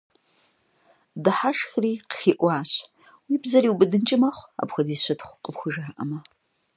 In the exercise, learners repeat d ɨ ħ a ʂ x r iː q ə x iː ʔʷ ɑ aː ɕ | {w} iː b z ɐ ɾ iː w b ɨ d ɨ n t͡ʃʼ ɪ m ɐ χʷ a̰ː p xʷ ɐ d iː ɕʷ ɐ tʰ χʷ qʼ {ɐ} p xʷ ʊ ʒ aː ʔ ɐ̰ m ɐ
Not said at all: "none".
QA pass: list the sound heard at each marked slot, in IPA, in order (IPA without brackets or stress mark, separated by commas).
w, ə